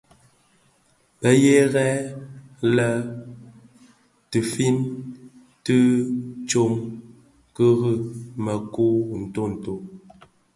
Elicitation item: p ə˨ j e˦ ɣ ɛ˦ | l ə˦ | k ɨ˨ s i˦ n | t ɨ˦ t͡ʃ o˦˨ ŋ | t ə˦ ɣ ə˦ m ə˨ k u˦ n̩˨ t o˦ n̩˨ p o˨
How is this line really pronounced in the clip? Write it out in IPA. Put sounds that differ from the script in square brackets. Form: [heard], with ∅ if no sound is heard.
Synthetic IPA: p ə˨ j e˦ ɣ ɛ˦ | l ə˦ | [t] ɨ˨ [f] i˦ n | t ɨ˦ t͡ʃ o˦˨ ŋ | [k] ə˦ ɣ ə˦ m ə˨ k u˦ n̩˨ t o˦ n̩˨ [t] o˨